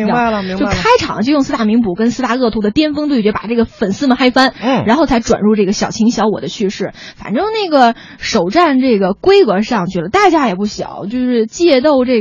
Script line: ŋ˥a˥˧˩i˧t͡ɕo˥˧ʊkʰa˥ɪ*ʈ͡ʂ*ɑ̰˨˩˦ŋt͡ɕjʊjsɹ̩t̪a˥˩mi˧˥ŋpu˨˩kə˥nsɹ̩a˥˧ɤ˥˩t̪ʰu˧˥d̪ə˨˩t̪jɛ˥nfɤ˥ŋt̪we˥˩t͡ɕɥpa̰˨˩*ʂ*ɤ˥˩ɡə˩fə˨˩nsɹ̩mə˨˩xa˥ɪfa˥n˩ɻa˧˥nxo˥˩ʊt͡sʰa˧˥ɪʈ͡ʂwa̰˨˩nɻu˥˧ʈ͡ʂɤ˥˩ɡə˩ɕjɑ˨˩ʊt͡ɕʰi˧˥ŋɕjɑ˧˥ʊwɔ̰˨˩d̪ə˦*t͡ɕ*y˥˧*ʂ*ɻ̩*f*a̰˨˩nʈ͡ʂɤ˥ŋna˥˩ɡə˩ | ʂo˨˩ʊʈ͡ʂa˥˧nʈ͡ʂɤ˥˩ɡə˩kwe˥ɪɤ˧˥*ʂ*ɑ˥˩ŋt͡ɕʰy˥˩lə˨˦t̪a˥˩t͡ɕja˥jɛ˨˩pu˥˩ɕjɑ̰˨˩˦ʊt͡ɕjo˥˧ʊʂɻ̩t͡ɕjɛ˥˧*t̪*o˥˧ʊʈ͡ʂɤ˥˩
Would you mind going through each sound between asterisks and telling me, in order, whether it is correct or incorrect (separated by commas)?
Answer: incorrect, incorrect, incorrect, correct, correct, correct, correct